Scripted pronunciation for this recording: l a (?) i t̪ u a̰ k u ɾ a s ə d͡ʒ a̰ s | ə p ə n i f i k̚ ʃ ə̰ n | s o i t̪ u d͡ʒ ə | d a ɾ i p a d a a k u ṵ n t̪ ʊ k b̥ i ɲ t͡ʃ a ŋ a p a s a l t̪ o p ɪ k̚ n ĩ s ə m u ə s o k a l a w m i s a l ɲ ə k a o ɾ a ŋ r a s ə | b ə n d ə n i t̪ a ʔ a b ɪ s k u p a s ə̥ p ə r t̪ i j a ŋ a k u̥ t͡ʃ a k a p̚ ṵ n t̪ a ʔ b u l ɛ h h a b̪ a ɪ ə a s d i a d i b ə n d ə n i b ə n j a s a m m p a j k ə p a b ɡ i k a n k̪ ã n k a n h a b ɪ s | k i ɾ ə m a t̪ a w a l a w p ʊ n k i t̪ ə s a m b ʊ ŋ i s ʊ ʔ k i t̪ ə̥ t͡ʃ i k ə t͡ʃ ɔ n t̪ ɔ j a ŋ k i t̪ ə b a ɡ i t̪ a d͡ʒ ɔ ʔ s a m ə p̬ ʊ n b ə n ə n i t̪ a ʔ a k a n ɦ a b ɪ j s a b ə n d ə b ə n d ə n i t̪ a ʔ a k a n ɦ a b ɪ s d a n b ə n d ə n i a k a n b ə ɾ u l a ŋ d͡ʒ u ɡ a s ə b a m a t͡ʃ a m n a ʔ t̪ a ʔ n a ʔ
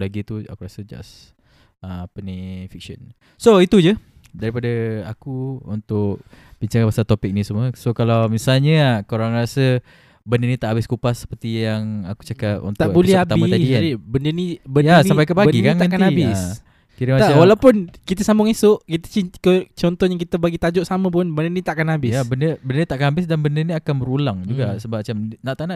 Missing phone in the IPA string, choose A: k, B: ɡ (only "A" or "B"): B